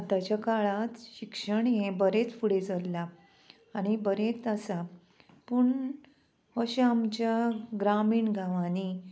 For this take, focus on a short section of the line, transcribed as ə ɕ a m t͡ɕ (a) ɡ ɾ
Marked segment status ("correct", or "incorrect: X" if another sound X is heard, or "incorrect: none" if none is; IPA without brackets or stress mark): correct